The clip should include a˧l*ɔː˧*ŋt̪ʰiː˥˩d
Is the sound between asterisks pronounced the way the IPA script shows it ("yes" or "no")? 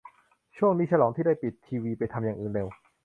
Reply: no